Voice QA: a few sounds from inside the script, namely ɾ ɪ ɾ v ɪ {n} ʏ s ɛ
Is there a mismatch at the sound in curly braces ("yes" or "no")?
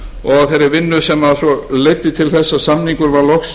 yes